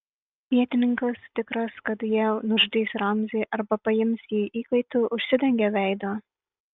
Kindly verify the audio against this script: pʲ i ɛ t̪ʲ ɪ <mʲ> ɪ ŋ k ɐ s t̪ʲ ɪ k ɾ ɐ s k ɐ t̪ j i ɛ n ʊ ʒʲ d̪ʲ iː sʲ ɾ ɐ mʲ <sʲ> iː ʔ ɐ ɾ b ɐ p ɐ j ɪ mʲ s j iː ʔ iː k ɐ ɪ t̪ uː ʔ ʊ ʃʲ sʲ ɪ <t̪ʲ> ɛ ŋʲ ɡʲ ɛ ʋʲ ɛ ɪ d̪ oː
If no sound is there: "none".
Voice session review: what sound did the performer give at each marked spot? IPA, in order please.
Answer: nʲ, zʲ, d̪ʲ

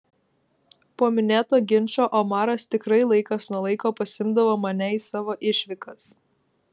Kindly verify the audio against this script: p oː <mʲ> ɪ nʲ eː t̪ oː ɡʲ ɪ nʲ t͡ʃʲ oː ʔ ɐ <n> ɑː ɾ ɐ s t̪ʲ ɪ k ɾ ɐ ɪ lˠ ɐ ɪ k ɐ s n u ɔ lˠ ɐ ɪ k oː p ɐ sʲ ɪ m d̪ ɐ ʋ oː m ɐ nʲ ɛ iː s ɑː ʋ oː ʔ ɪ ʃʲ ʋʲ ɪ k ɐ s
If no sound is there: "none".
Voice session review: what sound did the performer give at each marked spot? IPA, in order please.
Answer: mʲ, m

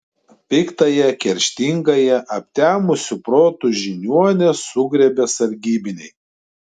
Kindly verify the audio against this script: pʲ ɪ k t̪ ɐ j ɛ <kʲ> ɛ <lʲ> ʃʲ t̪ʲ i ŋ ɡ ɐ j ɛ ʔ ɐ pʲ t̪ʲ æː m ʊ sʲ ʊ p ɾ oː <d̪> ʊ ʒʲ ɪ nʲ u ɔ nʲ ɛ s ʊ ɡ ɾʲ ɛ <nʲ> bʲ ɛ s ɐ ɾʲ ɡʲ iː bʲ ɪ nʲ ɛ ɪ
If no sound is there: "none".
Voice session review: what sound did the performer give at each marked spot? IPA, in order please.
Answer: kʲ, ɾʲ, t̪, none

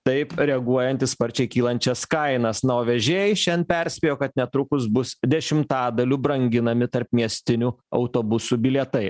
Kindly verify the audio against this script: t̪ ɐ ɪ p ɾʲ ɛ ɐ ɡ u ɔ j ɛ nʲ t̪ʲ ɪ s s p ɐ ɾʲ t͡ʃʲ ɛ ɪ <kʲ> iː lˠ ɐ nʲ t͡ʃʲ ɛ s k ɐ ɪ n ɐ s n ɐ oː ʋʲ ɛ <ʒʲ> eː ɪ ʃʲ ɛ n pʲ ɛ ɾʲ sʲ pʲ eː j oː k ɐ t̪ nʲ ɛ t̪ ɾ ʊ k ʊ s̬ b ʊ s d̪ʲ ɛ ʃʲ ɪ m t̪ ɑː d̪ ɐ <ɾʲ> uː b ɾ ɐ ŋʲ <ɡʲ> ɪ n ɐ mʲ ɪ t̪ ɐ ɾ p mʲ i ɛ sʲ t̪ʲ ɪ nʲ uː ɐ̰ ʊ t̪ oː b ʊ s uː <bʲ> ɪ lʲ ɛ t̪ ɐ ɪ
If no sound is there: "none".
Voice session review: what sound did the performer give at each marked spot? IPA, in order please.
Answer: kʲ, ʒʲ, lʲ, ɡʲ, bʲ

